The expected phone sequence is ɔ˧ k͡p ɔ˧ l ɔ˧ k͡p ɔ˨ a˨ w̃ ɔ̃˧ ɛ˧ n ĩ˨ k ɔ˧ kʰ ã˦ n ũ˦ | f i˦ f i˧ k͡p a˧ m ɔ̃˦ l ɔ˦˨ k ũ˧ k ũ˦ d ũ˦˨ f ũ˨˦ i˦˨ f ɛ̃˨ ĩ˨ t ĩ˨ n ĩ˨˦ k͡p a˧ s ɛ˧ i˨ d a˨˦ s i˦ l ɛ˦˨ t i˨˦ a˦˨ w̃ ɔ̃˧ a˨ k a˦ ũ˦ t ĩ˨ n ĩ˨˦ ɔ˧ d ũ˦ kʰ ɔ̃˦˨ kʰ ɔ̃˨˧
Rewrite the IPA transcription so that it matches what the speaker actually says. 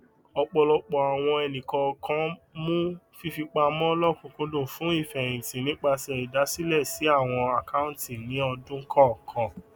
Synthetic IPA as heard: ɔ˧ k͡p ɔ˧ l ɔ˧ k͡p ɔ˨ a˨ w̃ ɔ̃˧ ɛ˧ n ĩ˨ k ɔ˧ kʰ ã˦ m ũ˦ | f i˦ f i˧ k͡p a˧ m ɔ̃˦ l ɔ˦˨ k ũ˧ k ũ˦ d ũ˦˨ f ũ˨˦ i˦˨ f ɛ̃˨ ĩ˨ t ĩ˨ n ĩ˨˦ k͡p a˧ s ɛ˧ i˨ d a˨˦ s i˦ l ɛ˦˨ s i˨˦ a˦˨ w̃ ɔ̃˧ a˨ k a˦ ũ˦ t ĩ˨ n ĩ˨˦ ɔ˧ d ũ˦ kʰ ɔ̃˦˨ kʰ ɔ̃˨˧